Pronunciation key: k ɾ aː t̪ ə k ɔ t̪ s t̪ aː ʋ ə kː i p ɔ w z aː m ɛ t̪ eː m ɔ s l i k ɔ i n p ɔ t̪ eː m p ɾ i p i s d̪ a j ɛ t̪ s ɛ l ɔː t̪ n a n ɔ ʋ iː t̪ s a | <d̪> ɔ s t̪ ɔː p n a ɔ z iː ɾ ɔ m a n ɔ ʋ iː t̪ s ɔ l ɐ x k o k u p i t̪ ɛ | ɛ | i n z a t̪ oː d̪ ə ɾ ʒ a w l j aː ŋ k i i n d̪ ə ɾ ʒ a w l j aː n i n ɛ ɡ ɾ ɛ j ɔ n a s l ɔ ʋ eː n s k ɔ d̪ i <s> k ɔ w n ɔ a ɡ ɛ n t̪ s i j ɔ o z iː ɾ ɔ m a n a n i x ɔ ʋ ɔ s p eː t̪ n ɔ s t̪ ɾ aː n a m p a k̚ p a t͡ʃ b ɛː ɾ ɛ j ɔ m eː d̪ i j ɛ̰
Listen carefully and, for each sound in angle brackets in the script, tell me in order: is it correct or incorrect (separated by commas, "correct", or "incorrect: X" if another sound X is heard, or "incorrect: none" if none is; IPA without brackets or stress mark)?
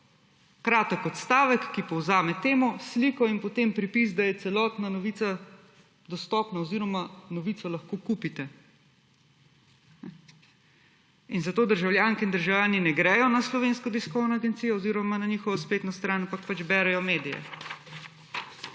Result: correct, correct